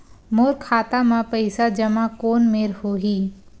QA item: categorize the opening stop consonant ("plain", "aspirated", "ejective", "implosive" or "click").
aspirated